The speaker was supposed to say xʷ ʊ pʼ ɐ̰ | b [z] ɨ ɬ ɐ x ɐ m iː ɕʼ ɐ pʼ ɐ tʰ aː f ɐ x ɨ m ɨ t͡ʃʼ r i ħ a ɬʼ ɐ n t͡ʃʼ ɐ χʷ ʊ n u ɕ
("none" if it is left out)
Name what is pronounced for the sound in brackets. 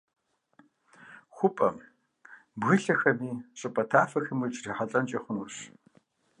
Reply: ɣ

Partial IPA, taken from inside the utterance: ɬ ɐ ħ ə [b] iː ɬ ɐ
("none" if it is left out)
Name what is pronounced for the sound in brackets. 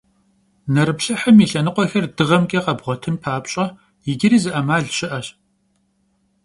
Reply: m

